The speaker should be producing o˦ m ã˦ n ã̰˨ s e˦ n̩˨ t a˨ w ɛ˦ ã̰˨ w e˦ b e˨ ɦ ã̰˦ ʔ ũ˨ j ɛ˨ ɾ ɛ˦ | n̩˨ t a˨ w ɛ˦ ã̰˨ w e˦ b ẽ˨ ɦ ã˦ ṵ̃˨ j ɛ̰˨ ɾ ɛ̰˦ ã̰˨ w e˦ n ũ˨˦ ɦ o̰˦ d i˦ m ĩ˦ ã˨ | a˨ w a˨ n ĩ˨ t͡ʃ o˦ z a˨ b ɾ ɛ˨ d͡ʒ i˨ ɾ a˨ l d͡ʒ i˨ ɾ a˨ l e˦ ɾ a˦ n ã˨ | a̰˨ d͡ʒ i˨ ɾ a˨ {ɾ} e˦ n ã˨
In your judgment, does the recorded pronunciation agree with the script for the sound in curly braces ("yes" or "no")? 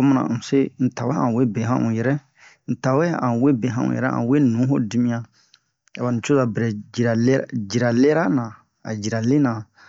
no